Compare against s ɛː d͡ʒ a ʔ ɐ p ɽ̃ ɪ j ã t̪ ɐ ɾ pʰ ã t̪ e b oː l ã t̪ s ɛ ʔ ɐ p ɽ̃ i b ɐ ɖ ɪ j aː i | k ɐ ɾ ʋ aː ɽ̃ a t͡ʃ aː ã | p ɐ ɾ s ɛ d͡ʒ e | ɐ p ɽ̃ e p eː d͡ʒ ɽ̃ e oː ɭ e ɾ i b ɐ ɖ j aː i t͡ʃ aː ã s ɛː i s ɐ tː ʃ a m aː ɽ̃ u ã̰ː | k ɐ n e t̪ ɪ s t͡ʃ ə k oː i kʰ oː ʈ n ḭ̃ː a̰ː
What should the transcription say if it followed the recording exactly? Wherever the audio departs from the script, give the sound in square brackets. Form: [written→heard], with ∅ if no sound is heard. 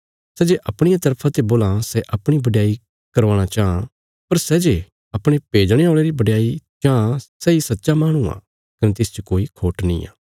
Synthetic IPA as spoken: s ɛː d͡ʒ [a→e] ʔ ɐ p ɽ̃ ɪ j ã t̪ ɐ ɾ pʰ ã t̪ e b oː l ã [t̪→∅] s ɛ ʔ ɐ p ɽ̃ i b ɐ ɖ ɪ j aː i | k ɐ ɾ ʋ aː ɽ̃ a t͡ʃ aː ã | p ɐ ɾ s ɛ d͡ʒ e | ɐ p ɽ̃ e p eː d͡ʒ ɽ̃ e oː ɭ e ɾ i b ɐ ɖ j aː i t͡ʃ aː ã s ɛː i s ɐ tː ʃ a m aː ɽ̃ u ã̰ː | k ɐ n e t̪ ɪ s t͡ʃ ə k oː i kʰ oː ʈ n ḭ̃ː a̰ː